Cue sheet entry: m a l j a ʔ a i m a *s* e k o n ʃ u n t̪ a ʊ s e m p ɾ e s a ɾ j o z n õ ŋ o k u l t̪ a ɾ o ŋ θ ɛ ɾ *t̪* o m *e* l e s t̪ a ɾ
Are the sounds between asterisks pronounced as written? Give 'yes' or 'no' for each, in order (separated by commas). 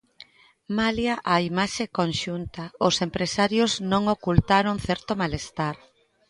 no, yes, no